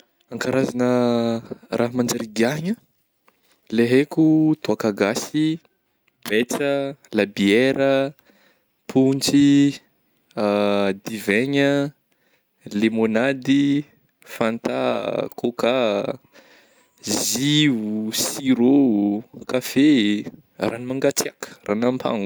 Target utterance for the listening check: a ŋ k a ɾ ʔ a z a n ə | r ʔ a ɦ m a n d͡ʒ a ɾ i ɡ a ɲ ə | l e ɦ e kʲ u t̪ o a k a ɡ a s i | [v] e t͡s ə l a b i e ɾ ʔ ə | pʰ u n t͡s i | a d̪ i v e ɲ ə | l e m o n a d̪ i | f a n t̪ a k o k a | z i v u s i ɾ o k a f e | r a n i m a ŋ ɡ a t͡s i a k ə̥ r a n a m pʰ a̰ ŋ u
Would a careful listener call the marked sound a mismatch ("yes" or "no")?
yes